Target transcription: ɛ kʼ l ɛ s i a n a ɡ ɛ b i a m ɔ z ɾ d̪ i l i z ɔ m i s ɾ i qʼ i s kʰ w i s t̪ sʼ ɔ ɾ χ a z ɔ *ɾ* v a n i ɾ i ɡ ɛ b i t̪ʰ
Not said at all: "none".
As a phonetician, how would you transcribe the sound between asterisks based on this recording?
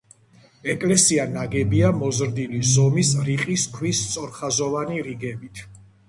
none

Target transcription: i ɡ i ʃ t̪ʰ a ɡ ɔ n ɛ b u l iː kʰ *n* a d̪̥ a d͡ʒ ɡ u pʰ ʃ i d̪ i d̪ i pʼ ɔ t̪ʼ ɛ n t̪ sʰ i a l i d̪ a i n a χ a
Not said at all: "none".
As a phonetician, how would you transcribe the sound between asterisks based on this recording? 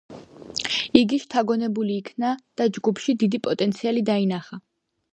n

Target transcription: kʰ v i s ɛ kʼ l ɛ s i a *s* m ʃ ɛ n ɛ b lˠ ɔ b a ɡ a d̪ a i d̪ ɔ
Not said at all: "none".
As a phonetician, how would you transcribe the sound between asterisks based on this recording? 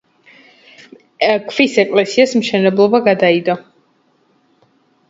s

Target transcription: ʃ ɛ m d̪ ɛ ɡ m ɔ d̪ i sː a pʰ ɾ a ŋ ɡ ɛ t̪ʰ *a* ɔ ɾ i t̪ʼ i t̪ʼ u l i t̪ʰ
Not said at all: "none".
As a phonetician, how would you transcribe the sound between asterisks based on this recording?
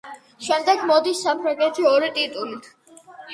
i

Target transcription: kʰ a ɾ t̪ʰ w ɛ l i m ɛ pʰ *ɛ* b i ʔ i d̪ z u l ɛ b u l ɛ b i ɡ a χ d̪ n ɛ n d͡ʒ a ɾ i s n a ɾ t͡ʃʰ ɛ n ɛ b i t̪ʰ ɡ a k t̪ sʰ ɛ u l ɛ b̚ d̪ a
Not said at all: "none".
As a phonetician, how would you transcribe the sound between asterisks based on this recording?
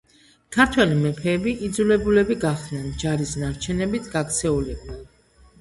ɛː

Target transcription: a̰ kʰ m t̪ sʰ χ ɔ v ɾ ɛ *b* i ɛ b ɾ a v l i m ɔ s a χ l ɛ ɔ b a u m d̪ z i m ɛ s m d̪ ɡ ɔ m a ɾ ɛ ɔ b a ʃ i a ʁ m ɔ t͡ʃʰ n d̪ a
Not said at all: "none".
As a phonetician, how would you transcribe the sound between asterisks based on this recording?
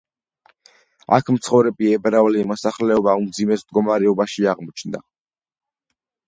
b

